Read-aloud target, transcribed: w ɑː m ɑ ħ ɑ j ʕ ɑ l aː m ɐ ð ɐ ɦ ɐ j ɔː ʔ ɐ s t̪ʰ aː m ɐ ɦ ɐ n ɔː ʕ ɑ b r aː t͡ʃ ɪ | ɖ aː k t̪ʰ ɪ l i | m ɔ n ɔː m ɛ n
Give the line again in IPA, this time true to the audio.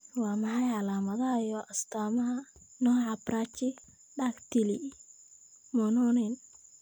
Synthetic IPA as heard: w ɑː m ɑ ħ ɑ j ʕ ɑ l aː m ɐ ð ɐ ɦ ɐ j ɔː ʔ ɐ s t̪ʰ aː m ɐ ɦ ɐ n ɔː ʕ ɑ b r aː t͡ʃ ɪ | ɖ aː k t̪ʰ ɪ l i | m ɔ n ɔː n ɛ n

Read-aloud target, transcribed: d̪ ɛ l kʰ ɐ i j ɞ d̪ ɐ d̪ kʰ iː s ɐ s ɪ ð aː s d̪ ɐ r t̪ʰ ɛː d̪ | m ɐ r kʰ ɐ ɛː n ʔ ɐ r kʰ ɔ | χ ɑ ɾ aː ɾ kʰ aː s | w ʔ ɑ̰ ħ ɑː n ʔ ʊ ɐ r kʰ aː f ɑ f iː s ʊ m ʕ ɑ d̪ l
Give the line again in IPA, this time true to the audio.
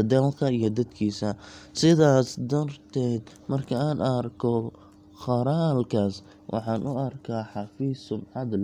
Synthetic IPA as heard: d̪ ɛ l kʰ ɐ i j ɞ d̪ ɐ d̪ kʰ iː s ɐ s ɪ ð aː s d̪ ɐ r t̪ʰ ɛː d̪ | m ɐ r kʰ ɐ aː n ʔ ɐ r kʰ ɔ | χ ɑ ɾ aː l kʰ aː s | w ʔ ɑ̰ ħ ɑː n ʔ ʊ ɐ r kʰ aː ħ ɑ f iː s ʊ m ʕ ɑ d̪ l

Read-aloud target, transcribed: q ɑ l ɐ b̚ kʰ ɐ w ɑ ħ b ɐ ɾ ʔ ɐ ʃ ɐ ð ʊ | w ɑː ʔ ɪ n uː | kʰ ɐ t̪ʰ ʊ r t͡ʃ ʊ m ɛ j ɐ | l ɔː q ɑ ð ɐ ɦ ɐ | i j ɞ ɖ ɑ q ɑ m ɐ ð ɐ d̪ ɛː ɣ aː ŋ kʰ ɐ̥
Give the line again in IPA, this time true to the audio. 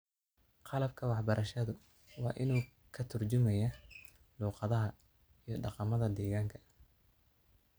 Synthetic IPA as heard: q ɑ l ɐ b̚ kʰ ɐ w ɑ ħ b ɐ ɾ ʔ ɐ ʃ ɐ ð ʊ | w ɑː ʔ ɪ n uː | kʰ ɐ t̪ʰ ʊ r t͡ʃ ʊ m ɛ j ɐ | l uː q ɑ ð ɐ ɦ ɐ | i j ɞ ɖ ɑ q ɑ m ɐ ð ɐ d̪ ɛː ɣ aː ŋ kʰ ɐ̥

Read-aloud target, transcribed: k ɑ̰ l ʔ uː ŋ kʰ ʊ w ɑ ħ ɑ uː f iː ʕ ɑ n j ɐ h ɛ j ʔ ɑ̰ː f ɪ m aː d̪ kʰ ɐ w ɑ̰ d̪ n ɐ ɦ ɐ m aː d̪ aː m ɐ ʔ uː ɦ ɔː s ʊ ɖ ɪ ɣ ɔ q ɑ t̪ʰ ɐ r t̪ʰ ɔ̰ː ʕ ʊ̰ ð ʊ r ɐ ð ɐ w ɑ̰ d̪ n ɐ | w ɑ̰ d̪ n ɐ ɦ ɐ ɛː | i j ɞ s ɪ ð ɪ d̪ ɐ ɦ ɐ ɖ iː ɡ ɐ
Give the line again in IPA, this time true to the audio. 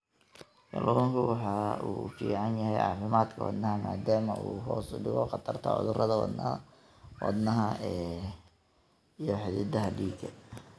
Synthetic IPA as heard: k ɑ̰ l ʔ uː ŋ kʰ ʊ w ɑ ħ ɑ uː f iː ʕ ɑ n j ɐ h ɛ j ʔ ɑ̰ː f ɪ m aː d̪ kʰ ɐ w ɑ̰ d̪ n ɐ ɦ ɐ m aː d̪ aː m ɐ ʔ uː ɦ ɔː s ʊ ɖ ɪ ɣ ɔ q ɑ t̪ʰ ɐ r t̪ʰ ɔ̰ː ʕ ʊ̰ ð ʊ r ɐ ð ɐ w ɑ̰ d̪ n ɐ | w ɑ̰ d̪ n ɐ ɦ ɐ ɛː | i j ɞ ħ ɪ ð ɪ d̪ ɐ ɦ ɐ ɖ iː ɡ ɐ

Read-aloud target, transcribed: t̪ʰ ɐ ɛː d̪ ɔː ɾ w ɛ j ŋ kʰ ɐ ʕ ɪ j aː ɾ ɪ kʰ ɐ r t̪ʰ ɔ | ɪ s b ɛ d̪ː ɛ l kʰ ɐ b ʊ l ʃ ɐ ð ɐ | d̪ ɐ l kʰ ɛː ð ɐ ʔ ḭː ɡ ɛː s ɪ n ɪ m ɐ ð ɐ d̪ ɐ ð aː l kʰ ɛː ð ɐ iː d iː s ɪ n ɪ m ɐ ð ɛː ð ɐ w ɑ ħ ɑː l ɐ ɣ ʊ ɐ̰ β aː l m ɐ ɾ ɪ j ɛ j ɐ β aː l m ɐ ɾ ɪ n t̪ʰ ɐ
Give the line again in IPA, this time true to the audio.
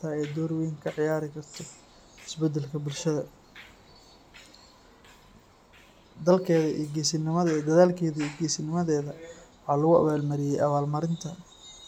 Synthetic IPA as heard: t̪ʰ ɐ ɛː d̪ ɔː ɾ w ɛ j ŋ kʰ ɐ ʕ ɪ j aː ɾ ɪ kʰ ɐ r t̪ʰ ɔ | ɪ s b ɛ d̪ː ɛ l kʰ ɐ b ʊ l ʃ ɐ ð ɐ | d̪ ɐ l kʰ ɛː ð ɐ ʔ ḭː ɡ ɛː s ɪ n ɪ m ɐ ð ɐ d̪ ɐ ð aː l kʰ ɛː ð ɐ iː ɡ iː s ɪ n ɪ m ɐ ð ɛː ð ɐ w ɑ ħ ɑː l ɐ ɣ ʊ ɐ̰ β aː l m ɐ ɾ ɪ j ɛ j ɐ β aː l m ɐ ɾ ɪ n t̪ʰ ɐ

